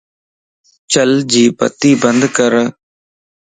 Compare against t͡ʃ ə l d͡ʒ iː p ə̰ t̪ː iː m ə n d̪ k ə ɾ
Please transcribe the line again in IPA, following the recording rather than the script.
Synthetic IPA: t͡ʃ ə l d͡ʒ iː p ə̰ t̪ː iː b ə n d̪ k ə ɾ

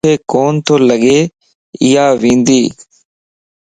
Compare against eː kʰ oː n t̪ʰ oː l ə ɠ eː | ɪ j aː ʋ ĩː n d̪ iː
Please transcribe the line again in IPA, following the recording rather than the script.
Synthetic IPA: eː k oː n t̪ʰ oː l ə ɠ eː | ɪ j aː ʋ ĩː n d̪ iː

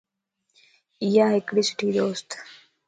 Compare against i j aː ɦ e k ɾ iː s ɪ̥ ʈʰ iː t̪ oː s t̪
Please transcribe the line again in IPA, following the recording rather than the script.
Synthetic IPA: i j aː ɦ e k ɽ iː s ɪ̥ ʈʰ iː d̪ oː s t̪

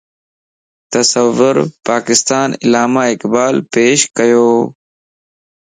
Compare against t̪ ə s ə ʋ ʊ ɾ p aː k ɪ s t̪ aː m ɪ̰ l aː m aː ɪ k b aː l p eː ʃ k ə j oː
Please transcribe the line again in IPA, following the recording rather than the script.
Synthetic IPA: t̪ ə s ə ʋ ʊ ɾ p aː k ɪ s t̪ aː n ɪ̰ l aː m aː ɪ k b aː l p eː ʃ k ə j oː

